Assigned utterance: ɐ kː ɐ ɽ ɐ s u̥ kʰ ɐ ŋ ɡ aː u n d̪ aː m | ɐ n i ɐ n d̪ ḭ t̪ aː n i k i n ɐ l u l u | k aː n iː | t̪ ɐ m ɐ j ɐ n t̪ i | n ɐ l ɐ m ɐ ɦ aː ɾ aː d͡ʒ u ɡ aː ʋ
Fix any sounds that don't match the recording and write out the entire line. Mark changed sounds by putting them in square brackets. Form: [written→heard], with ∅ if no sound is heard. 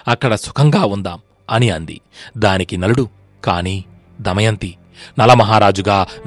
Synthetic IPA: ɐ kː ɐ ɽ ɐ s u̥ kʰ ɐ ŋ ɡ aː u n d̪ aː m | ɐ n i ɐ n d̪ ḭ [t̪→d̪] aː n i k i n ɐ l u [l→ɽ] u | k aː n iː | [t̪→d̪] ɐ m ɐ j ɐ n t̪ i | n ɐ l ɐ m ɐ ɦ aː ɾ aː d͡ʒ u ɡ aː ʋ